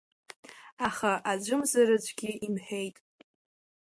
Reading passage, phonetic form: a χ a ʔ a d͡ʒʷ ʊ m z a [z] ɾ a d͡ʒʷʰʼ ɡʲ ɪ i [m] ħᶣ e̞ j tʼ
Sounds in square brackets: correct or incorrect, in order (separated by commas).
incorrect, correct